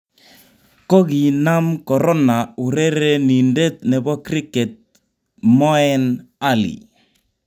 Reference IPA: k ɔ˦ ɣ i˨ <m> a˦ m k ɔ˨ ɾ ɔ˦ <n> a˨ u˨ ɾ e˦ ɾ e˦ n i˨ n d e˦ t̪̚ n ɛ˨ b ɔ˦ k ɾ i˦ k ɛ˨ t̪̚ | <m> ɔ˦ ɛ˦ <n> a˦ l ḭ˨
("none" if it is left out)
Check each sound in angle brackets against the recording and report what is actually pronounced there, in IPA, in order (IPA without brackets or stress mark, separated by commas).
n, n, m, n